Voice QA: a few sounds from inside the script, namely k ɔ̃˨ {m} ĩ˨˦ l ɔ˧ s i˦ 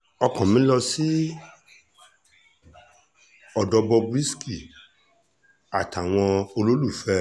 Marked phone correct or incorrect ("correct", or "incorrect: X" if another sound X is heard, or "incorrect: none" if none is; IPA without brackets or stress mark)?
correct